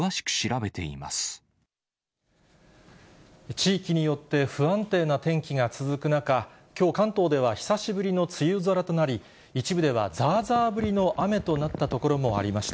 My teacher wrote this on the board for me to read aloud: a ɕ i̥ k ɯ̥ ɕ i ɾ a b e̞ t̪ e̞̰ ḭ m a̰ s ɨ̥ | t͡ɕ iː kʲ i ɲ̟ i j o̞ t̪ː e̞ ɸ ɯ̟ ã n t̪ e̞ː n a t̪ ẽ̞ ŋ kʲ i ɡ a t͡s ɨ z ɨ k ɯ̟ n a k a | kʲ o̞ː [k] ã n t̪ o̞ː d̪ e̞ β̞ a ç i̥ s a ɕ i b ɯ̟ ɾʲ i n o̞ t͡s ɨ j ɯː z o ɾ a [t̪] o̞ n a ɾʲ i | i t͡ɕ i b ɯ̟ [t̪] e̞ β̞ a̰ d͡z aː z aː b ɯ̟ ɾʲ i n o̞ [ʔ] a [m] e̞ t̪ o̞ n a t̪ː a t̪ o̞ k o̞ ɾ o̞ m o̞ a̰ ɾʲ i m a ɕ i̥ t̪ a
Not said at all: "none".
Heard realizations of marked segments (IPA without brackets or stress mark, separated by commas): k, t̪, d̪, ʔ, m